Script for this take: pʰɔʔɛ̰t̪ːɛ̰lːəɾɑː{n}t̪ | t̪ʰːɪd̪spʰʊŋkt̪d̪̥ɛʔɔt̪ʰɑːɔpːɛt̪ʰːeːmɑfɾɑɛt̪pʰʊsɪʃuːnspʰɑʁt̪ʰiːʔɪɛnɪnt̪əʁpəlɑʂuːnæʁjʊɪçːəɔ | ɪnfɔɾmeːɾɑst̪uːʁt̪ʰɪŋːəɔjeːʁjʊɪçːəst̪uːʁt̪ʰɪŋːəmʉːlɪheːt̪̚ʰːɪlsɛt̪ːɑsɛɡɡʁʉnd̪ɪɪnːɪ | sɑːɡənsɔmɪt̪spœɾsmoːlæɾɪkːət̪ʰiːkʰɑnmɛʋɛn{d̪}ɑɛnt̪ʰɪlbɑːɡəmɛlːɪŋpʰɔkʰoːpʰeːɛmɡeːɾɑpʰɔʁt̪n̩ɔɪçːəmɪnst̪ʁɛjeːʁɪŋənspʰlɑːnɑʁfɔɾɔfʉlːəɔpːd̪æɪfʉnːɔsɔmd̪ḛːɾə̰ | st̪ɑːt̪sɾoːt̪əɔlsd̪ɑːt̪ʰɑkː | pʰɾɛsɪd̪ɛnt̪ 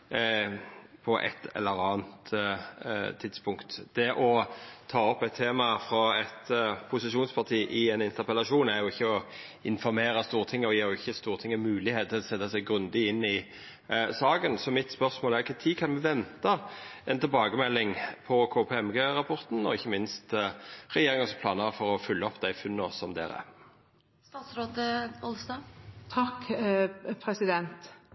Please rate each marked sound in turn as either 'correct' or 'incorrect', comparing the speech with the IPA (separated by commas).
correct, incorrect